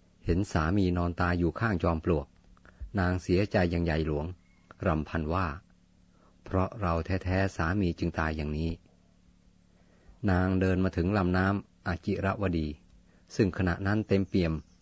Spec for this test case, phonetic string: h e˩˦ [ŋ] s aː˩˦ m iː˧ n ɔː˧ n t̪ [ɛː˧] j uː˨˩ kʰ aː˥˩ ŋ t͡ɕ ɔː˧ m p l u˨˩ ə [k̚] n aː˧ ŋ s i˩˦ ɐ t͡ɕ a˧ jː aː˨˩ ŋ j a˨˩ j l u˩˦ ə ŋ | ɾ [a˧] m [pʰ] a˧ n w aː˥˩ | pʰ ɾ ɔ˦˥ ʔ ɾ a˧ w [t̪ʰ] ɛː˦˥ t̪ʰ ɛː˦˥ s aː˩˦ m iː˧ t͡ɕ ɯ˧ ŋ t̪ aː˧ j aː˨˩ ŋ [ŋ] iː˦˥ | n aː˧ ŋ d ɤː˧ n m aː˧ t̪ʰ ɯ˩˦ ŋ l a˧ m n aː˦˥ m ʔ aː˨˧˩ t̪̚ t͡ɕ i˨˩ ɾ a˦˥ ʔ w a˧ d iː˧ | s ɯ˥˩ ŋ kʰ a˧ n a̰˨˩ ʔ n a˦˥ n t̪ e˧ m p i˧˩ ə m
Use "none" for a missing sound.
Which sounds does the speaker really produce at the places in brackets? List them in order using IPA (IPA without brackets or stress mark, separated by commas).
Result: n, aː˧, k̚, a˧, pʰ, t̪ʰ, n